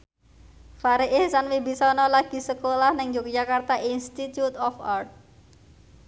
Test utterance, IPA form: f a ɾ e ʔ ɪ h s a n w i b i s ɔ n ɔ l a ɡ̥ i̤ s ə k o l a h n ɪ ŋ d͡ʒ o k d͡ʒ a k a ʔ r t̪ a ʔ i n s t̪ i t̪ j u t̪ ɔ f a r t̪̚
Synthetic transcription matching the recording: f a ɾ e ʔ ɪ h s a n w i b i s ɔ n ɔ l a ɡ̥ i̤ s ə k o l a h n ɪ ŋ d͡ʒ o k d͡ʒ a k a r t̪ a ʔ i n s t̪ i t̪ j u t̪ ɔ f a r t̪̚